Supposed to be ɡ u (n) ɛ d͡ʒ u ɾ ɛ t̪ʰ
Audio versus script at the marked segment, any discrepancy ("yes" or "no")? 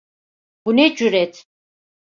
no